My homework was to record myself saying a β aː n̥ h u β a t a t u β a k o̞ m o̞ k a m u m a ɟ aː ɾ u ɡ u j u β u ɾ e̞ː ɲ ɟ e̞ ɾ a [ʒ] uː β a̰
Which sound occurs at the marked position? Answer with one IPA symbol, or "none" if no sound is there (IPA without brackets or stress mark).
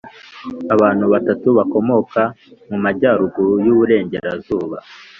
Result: z